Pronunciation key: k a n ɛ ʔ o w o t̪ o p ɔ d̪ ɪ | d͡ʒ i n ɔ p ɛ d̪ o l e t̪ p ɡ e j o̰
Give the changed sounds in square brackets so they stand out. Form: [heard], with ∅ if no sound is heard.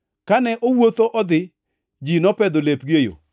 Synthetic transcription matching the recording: k a n ɛ ʔ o w o t̪ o [ʔ] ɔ d̪ ɪ | d͡ʒ i n ɔ p ɛ d̪ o l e [∅] p ɡ e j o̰